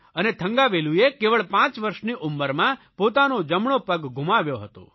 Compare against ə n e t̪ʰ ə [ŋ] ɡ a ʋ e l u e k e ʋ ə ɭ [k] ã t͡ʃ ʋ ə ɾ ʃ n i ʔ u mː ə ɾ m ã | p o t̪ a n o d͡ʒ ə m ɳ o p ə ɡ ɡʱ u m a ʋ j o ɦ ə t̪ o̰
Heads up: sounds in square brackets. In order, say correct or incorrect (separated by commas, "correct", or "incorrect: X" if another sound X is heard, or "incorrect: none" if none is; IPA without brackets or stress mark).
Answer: correct, incorrect: p